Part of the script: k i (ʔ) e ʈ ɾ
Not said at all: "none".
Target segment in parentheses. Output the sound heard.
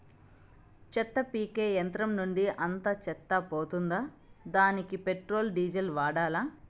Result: p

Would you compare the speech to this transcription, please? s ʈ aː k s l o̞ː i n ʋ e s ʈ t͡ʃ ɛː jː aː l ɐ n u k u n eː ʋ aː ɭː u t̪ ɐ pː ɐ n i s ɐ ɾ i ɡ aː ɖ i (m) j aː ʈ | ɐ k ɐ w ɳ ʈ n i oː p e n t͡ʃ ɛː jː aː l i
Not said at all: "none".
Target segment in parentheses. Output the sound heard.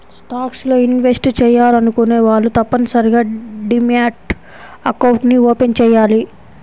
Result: m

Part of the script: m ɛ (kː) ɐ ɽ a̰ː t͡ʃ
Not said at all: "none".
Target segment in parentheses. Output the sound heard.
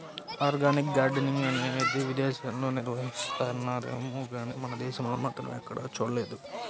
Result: kː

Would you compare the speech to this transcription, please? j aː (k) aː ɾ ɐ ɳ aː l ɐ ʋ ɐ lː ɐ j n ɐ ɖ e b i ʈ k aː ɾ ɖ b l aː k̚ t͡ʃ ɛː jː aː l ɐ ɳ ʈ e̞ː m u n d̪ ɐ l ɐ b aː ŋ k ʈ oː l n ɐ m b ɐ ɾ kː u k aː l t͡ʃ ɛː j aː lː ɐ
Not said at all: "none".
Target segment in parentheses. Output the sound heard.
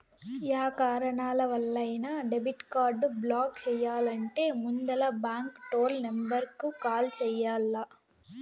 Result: k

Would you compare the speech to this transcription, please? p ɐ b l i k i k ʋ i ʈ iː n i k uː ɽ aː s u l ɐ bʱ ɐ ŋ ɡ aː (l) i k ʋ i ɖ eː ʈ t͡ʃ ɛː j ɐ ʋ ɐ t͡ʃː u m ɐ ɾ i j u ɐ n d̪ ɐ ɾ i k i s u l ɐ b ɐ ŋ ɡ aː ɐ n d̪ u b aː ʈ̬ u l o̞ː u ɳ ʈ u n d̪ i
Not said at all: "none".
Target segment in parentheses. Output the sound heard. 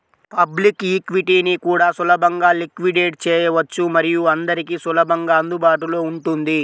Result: l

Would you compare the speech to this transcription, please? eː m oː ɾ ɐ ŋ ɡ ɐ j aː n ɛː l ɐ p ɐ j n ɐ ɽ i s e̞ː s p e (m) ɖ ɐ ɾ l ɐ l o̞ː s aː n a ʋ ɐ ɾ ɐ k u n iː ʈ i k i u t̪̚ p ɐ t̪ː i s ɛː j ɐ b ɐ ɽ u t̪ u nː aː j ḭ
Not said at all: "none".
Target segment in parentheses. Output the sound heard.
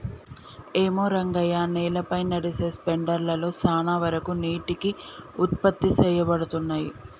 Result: ɳ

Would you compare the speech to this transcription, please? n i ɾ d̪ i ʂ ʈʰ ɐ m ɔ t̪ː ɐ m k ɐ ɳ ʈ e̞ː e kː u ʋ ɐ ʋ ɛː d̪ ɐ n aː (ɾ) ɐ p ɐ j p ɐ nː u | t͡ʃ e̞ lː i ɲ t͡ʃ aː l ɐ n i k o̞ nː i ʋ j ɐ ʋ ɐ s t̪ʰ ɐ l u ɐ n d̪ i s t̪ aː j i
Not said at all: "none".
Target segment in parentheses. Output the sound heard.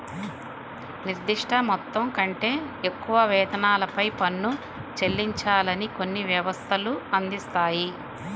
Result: l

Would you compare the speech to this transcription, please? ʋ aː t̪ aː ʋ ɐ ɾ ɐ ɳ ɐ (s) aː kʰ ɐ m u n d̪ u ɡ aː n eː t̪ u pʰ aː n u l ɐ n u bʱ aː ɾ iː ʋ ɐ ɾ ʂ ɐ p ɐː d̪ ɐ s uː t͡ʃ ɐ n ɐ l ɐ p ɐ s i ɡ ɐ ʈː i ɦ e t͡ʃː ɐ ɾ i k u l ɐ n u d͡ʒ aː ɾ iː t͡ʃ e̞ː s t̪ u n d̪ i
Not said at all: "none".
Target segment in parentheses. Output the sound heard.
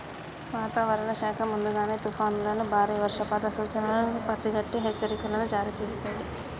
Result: ʃ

